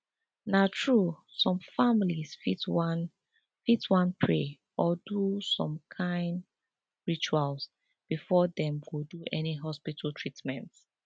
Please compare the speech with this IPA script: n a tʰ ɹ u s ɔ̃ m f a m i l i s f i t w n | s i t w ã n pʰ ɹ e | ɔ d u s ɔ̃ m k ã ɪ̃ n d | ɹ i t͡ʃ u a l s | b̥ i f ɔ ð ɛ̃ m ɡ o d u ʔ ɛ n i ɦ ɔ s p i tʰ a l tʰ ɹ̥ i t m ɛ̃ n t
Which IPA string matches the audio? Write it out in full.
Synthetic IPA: n a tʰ ɹ u s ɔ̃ m f a m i l i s f i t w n | f i t w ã n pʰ ɹ e | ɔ d u s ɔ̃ m kʰ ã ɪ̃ n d | ɹ i t͡ʃ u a l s | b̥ i f ɔ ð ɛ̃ m ɡ o d u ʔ ɛ n i ɦ ɔ s p i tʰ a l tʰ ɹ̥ i t m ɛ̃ n t